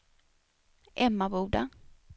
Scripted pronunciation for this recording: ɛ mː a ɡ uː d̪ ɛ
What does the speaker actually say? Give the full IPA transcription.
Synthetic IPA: ɛ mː a b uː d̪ a